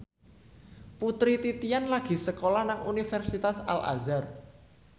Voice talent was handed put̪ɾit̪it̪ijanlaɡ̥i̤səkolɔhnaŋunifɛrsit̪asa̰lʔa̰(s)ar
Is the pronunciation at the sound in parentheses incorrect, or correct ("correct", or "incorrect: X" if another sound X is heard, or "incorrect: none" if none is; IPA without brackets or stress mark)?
incorrect: z